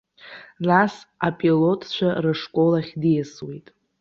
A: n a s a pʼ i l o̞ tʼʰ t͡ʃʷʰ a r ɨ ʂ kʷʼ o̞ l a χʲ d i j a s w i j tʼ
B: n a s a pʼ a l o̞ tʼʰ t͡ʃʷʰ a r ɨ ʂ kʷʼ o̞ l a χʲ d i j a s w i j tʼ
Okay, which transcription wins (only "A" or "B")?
A